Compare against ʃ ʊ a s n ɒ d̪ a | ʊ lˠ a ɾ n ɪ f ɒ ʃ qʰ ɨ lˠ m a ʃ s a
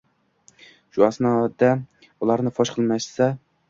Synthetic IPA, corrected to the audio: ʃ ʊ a s n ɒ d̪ a | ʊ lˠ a ɾ n ɪ f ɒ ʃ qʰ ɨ lˠ m a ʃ s a